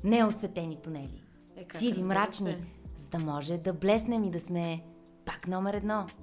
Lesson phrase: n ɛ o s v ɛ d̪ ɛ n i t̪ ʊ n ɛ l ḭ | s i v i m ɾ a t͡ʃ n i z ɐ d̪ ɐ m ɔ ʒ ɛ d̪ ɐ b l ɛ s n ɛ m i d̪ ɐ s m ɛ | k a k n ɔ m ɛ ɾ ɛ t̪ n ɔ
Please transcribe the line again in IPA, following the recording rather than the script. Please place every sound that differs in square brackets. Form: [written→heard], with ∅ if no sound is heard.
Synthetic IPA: n ɛ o s v ɛ [d̪→t̪] ɛ n i t̪ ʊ n ɛ l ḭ | s i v i m ɾ a t͡ʃ n i z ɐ d̪ ɐ m ɔ ʒ ɛ d̪ ɐ b l ɛ s n ɛ m i d̪ ɐ s m ɛ | [k→p] a k n ɔ m ɛ ɾ ɛ [t̪→d̪] n ɔ